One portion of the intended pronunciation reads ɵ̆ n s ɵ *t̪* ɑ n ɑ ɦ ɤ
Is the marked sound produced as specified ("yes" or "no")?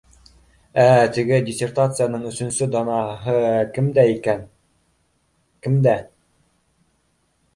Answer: no